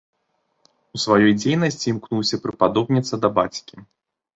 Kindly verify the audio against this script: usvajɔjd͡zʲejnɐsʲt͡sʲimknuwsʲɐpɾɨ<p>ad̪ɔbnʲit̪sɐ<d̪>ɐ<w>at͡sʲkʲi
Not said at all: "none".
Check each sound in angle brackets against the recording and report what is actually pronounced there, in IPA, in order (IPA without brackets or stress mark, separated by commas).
p, d̪, b